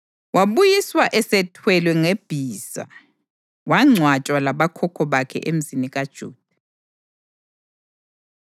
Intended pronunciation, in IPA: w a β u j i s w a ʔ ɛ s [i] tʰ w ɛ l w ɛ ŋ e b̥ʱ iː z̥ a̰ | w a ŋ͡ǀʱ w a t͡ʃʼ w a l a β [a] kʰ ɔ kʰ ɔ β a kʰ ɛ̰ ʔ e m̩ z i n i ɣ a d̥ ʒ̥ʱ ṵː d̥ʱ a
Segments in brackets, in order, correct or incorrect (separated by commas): incorrect, correct